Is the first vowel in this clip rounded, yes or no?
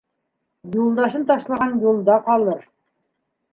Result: yes